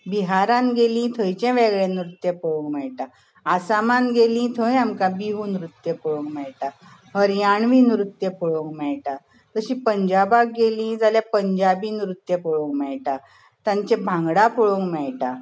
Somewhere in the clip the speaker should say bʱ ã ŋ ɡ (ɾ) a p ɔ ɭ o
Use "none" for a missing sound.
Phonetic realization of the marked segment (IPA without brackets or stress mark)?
ɽ